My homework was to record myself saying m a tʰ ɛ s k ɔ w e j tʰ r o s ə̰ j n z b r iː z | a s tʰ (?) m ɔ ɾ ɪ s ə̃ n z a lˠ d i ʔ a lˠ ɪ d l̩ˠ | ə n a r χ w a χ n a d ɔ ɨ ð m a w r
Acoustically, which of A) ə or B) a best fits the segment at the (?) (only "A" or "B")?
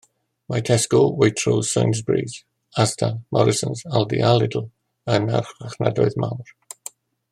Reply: B